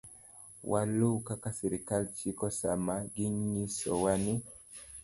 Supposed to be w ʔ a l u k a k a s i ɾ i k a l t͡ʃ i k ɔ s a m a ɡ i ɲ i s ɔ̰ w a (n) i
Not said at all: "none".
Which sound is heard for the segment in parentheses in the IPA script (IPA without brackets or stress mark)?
n